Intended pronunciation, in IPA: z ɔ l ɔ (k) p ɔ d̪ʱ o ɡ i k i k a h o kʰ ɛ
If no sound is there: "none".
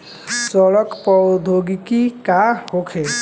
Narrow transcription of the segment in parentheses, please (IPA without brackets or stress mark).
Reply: k